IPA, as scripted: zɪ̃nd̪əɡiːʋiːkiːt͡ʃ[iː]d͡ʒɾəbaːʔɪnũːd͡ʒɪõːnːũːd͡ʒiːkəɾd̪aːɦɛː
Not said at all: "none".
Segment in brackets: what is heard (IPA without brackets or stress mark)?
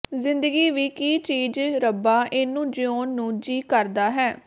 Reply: iː